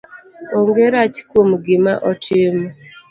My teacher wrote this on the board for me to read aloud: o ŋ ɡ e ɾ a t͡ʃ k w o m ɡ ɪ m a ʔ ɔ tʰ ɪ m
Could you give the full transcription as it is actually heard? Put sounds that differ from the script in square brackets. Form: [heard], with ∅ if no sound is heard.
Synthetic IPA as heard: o ŋ ɡ e ɾ a t͡ʃ k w o m ɡ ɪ m a ʔ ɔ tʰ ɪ m